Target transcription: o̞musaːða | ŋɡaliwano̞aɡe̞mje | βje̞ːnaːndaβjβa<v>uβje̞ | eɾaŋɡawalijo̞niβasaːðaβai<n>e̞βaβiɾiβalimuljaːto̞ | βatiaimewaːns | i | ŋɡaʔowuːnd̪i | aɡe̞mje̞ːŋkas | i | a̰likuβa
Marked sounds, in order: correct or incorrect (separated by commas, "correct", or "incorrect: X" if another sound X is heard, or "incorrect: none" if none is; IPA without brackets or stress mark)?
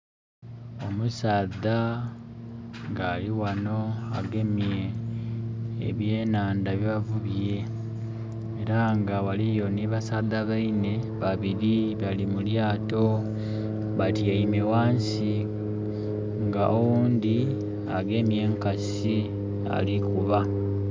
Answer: correct, correct